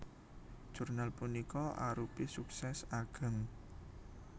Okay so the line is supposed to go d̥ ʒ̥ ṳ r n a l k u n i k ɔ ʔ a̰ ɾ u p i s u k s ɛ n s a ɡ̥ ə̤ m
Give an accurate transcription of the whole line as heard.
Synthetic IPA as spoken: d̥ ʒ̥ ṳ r n a l p u n i k ɔ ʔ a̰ ɾ u p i s u k s ɛ s a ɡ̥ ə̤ ŋ